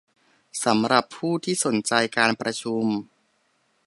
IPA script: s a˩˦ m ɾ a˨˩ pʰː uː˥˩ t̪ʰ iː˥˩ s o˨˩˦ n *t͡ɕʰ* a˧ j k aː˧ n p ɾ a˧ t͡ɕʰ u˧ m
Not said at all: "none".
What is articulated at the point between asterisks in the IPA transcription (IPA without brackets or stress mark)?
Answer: t͡ɕ